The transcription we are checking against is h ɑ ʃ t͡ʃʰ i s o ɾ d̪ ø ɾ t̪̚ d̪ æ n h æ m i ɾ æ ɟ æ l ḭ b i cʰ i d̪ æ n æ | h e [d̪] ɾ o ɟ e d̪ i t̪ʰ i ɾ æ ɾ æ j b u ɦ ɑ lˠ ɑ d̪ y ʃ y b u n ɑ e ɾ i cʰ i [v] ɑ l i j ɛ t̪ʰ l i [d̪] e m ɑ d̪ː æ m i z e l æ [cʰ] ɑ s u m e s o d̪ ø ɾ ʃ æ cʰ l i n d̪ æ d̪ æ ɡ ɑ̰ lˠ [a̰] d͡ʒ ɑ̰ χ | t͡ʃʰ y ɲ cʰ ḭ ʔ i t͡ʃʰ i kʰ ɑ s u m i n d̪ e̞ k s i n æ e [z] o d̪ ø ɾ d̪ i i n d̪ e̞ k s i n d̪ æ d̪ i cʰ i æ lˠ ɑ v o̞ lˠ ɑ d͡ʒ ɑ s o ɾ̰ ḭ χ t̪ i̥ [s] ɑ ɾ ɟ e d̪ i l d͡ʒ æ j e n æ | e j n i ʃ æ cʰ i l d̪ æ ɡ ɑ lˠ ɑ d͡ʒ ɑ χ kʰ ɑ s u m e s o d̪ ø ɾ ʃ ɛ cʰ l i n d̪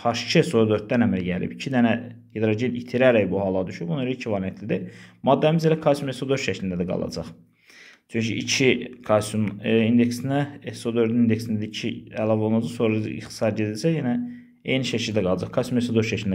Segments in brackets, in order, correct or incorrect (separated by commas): correct, correct, correct, incorrect, incorrect, incorrect, correct